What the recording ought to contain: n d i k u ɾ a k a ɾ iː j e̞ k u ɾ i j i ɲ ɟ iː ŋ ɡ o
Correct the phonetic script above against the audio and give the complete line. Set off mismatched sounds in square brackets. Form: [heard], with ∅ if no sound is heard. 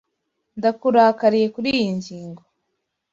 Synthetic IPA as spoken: n d [a] k u ɾ a k a ɾ [i] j e̞ k u ɾ i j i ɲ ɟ iː ŋ ɡ o

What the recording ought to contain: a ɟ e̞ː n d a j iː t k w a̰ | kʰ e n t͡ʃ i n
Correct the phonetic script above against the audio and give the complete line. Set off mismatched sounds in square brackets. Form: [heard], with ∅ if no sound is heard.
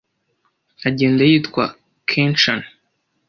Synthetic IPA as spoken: a ɟ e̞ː n d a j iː t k w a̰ | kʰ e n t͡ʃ [a] n

